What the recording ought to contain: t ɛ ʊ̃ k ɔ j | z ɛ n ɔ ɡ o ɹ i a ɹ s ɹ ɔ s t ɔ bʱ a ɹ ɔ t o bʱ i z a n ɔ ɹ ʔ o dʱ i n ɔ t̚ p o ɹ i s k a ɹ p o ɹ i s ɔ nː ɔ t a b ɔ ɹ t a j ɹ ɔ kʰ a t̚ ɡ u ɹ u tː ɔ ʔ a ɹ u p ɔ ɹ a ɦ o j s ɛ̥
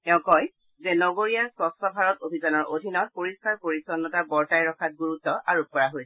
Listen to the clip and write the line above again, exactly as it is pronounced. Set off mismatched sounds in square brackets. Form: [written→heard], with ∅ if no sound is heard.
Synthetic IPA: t ɛ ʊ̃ k ɔ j | z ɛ n ɔ ɡ o ɹ i a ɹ s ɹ ɔ s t ɔ bʱ a ɹ ɔ t o bʱ i z a n ɔ ɹ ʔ o dʱ i n ɔ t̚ p o ɹ i s k a ɹ p o ɹ i s ɔ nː ɔ t a b ɔ ɹ t a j ɹ ɔ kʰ a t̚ ɡ u ɹ u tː ɔ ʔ a ɹ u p ɔ ɹ a ɦ o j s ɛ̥